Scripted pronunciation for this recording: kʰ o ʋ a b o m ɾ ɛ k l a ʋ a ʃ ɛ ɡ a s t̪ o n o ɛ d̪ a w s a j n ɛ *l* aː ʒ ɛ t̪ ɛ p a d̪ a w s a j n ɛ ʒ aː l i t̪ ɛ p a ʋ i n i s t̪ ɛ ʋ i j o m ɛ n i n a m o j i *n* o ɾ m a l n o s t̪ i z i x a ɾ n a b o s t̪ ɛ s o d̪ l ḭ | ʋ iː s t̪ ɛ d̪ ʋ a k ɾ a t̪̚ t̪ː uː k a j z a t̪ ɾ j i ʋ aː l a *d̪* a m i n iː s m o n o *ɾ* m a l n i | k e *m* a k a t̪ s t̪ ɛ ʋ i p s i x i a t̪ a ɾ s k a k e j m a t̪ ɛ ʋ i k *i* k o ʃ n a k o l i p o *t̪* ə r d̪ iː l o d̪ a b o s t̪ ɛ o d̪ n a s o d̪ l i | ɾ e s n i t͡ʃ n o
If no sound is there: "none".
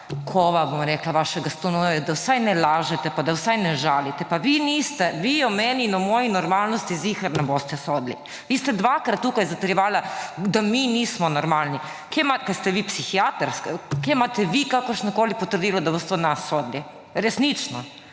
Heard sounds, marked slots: l, n, d̪, ɾ, m, a, t̪

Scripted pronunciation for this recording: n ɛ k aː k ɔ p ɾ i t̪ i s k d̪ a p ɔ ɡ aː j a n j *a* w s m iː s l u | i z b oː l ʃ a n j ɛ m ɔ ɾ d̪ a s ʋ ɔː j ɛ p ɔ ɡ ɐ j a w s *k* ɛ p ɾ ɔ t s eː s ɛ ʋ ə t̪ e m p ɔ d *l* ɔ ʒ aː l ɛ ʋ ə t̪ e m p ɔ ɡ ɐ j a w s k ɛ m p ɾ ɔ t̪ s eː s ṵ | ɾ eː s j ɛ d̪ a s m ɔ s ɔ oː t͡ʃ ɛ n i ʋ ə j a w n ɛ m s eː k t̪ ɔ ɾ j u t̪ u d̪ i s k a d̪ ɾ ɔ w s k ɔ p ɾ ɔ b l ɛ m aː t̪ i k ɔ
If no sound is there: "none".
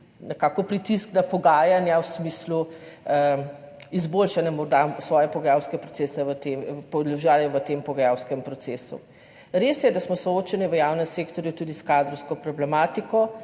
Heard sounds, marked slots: a, k, l

